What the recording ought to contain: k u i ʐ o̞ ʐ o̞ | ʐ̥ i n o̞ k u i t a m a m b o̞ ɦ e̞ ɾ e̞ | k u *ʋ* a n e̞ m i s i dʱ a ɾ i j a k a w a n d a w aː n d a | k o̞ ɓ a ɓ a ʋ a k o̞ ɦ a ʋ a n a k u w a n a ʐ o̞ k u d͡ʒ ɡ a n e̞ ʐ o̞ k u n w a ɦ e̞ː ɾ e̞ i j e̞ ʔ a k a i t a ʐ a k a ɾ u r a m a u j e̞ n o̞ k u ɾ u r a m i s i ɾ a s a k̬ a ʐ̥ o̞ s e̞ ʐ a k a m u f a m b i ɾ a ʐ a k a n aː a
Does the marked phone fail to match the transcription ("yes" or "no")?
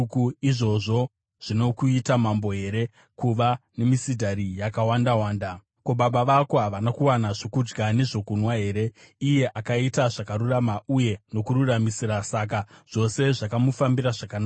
no